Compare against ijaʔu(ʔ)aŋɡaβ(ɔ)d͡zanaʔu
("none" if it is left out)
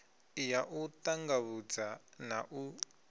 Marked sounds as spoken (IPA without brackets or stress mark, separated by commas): t, u